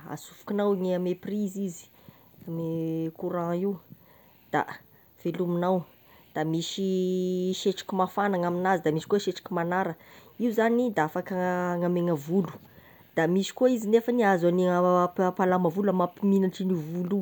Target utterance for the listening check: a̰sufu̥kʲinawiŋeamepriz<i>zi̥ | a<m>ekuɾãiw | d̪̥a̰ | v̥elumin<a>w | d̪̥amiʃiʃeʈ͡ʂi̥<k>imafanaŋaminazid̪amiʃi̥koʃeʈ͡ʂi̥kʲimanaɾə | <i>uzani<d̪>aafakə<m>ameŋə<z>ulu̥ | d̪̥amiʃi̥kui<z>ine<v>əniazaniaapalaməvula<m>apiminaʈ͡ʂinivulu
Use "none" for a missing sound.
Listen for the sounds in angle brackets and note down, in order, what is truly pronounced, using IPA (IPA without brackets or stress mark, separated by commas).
i, m, a, k, i, d̪, ŋ, v, z, f, m